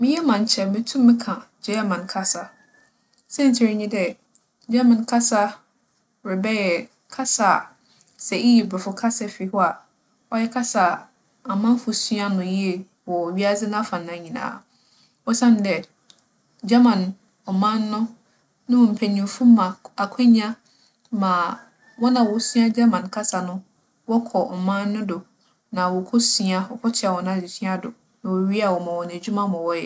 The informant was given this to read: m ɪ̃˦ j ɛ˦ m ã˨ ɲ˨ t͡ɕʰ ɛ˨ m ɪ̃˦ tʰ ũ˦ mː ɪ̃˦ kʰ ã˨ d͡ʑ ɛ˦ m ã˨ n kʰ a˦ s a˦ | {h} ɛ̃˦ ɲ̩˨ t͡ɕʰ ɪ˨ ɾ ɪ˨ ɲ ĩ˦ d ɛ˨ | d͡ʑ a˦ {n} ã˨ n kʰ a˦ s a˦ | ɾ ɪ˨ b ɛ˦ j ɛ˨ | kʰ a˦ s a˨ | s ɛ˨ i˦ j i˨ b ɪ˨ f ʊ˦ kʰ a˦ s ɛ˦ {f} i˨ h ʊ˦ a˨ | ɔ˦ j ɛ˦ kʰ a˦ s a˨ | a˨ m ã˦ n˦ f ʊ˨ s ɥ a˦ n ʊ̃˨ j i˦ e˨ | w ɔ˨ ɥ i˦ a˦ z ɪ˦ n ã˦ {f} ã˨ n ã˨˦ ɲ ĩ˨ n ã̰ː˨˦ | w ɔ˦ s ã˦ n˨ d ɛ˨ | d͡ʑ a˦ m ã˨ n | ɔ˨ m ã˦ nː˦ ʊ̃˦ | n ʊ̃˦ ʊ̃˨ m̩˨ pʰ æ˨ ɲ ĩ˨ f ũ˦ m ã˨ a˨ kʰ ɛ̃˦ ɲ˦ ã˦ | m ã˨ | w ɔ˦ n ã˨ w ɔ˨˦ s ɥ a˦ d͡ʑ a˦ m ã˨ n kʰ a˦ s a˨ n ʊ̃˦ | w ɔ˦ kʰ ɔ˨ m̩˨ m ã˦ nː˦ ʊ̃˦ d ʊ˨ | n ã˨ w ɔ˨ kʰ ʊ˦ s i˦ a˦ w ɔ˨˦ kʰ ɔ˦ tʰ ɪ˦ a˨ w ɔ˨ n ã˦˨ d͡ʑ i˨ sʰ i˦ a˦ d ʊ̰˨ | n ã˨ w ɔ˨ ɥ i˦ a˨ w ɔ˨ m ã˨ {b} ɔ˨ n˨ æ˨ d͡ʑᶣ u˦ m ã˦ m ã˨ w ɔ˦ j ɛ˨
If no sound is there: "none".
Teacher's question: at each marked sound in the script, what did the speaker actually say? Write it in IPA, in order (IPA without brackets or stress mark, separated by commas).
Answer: s, m, f, f, w